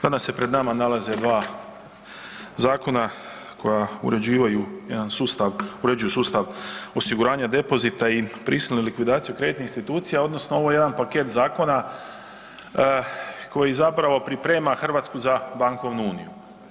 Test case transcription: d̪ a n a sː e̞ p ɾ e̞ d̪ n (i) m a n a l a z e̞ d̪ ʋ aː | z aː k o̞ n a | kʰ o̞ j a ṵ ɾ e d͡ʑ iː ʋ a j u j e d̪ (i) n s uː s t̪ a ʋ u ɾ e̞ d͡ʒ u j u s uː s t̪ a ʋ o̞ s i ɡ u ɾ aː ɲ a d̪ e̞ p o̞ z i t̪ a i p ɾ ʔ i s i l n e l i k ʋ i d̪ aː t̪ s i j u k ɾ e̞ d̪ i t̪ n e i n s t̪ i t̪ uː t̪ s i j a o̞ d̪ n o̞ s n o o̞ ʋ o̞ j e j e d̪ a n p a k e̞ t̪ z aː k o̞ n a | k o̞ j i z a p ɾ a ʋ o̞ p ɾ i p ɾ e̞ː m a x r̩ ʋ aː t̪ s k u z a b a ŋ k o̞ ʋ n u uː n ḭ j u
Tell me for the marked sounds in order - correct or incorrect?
incorrect, incorrect

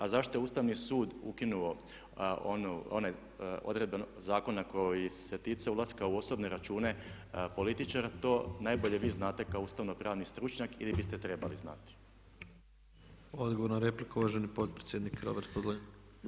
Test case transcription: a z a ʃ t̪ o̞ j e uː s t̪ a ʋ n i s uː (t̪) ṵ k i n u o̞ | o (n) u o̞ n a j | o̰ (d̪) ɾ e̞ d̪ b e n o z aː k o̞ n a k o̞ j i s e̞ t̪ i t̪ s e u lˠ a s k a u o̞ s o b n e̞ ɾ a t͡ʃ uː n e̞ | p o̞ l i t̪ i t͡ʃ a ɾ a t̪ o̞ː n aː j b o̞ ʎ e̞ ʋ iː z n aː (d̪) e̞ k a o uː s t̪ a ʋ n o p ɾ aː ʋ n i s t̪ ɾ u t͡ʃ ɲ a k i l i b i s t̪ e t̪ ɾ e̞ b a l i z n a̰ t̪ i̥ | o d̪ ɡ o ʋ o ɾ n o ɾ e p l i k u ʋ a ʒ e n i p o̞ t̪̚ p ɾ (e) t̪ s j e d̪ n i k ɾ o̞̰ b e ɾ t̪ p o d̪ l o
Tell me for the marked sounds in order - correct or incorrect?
incorrect, correct, correct, incorrect, correct

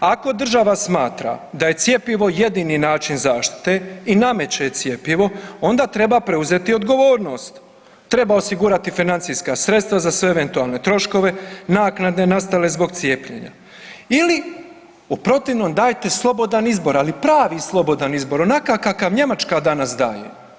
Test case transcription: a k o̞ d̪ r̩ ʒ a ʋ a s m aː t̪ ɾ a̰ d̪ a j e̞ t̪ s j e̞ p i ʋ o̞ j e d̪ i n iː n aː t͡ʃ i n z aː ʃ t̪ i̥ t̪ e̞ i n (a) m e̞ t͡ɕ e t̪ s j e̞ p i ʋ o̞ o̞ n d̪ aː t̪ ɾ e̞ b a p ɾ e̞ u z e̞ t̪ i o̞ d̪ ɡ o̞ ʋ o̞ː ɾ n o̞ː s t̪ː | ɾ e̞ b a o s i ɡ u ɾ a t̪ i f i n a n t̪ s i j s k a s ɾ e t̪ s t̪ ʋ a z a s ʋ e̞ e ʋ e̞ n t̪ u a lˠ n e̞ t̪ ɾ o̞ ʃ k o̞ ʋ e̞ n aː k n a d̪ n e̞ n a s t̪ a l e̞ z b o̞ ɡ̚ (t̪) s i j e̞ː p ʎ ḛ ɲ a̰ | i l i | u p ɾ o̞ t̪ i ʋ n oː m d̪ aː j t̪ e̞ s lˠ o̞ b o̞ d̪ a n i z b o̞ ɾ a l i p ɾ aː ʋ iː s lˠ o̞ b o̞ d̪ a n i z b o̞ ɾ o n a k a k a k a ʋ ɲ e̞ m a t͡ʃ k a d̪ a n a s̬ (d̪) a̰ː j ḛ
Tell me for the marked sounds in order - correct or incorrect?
correct, correct, correct

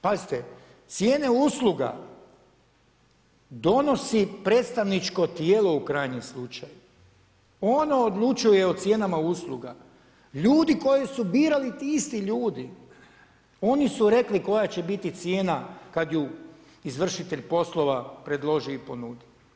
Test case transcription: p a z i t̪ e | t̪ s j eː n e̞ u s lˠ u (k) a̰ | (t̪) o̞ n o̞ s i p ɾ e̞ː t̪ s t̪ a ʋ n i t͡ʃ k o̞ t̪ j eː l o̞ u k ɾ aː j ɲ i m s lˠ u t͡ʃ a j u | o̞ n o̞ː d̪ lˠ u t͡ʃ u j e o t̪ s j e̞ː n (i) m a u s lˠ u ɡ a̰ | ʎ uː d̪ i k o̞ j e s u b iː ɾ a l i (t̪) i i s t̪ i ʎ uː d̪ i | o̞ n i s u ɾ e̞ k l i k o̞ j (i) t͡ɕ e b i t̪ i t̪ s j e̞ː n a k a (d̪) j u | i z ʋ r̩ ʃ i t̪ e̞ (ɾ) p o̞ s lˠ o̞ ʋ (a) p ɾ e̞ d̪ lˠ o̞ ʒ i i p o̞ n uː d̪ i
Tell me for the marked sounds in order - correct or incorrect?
incorrect, incorrect, incorrect, correct, incorrect, correct, incorrect, correct

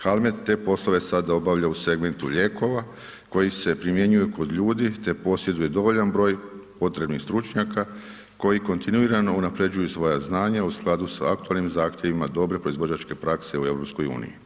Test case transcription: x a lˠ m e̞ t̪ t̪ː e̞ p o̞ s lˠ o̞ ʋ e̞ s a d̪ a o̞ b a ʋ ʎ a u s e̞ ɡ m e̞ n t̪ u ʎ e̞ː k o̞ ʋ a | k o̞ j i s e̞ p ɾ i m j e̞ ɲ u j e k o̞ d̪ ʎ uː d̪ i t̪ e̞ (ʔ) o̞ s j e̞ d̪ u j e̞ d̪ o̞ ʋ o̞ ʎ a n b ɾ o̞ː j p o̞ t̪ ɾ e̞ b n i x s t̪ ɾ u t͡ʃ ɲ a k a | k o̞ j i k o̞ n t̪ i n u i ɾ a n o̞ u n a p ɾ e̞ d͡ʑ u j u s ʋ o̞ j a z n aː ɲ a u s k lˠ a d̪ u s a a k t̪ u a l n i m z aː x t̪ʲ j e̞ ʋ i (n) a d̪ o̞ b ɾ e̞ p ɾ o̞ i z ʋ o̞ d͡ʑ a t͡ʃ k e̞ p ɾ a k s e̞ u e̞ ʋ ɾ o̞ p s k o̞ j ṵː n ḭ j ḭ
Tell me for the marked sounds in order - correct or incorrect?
incorrect, incorrect

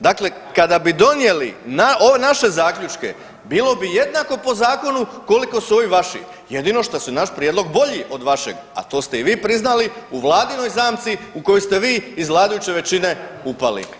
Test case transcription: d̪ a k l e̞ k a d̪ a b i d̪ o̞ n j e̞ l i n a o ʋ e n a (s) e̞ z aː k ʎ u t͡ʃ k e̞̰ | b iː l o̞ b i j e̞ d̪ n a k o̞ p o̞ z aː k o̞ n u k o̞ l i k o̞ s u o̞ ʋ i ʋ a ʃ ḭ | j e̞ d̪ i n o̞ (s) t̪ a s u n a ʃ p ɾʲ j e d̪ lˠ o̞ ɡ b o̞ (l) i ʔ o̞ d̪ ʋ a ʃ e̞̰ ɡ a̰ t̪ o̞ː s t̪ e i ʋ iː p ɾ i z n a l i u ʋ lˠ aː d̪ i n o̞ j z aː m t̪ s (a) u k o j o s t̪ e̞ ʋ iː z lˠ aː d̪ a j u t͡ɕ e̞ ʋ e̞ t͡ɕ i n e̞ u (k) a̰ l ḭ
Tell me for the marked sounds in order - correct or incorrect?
incorrect, incorrect, incorrect, incorrect, incorrect

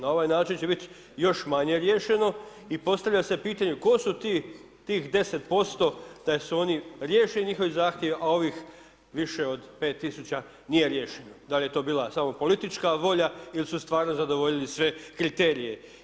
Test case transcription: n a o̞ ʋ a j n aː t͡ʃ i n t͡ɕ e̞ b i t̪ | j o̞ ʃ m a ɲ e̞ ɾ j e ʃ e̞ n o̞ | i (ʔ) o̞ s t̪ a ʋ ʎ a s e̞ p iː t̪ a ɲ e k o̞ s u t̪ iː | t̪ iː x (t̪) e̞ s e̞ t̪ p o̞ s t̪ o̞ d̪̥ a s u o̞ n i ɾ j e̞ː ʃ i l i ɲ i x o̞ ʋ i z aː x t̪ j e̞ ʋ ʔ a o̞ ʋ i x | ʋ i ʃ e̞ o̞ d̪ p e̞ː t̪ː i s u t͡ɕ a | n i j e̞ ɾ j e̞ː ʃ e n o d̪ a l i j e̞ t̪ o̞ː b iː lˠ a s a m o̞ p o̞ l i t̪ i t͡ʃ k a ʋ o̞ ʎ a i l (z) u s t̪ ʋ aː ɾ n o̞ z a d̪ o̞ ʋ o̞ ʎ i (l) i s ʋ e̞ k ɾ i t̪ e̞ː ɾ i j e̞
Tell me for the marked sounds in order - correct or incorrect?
incorrect, incorrect, incorrect, correct

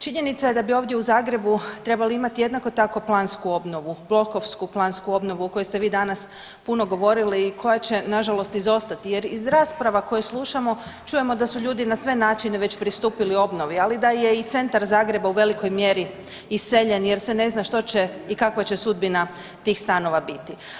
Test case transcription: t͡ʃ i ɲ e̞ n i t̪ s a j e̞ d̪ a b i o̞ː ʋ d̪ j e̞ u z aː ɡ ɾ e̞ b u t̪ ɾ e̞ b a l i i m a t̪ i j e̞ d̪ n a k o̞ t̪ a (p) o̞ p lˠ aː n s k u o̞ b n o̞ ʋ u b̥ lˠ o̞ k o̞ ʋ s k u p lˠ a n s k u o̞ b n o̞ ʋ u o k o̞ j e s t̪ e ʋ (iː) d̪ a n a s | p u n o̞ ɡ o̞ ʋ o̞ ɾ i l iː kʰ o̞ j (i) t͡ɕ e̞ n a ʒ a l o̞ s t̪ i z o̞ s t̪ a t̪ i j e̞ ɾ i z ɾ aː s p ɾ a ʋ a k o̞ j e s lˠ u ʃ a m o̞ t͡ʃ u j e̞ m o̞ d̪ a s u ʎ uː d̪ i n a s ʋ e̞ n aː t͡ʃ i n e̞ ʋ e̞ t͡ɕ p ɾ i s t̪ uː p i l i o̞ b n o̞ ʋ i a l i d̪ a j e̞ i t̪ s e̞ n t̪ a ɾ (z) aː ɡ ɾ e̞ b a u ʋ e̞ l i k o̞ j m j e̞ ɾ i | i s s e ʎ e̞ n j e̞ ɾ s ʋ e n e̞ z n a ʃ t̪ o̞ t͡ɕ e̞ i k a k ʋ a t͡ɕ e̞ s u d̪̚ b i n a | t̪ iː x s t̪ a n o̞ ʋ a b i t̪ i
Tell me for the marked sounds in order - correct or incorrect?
incorrect, correct, incorrect, correct

